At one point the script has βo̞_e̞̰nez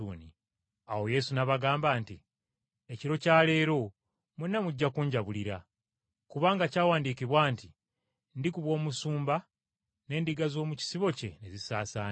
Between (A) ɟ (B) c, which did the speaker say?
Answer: B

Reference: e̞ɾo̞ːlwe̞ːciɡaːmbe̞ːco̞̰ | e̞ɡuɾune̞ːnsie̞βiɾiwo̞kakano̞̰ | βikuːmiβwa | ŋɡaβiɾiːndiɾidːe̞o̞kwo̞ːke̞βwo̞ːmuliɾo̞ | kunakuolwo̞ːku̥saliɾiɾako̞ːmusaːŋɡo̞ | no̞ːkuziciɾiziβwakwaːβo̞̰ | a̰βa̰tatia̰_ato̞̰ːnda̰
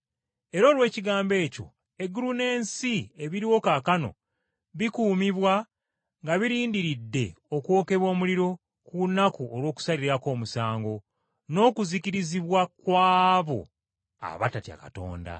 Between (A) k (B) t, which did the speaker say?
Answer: A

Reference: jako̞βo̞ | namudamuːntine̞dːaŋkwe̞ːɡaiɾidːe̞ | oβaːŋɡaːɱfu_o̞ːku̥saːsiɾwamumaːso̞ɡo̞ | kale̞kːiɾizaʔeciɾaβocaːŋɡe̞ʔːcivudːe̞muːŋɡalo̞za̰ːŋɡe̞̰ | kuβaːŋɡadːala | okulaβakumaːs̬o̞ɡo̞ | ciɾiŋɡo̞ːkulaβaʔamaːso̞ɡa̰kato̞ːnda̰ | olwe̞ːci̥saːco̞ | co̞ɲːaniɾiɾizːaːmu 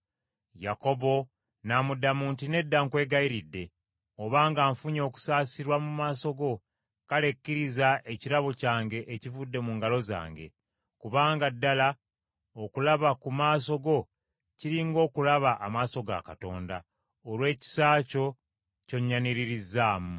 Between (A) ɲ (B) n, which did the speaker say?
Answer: A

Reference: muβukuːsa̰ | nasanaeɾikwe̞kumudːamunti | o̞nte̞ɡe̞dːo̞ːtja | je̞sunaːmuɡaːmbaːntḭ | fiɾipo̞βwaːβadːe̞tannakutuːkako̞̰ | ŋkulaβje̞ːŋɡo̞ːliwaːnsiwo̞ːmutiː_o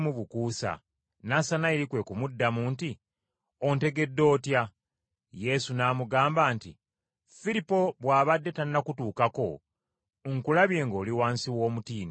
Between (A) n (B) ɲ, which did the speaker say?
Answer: A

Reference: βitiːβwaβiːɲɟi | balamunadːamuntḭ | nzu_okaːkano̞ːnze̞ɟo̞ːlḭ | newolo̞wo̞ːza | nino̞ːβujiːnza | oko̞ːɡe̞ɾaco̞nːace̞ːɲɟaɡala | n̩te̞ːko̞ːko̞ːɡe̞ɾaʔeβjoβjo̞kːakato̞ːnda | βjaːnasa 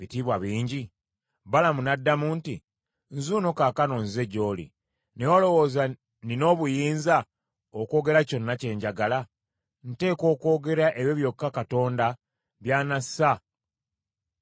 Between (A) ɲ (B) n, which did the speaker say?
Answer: B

